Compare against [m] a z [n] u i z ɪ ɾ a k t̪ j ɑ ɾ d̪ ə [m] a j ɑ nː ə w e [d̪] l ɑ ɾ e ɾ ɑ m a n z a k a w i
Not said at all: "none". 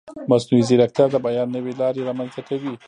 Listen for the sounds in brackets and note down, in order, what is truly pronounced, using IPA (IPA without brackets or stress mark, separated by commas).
m, n, b, none